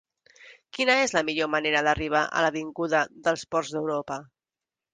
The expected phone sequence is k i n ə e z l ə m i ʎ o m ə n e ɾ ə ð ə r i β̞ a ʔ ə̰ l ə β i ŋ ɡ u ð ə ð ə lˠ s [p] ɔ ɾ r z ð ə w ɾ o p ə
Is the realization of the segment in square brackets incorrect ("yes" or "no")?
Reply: no